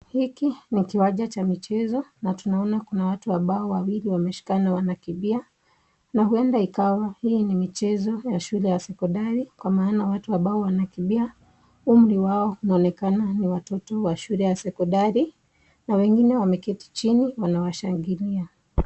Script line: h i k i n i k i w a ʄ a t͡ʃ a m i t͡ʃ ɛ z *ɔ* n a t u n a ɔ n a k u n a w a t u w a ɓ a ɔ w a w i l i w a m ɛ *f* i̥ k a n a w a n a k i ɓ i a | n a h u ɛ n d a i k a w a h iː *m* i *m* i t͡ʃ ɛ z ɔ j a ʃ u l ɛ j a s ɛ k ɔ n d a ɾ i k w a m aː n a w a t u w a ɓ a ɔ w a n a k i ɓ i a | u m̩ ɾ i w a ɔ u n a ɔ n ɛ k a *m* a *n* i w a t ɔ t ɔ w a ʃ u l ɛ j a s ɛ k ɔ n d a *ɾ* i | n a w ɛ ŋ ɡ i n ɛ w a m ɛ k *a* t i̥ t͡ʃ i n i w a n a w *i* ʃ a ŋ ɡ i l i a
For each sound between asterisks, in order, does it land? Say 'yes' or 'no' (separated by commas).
yes, no, no, yes, no, yes, yes, no, no